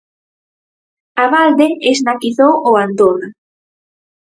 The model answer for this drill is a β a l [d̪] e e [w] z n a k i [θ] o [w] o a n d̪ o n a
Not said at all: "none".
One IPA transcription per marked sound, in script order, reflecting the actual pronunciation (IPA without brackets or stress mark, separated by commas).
d̪, none, θ, w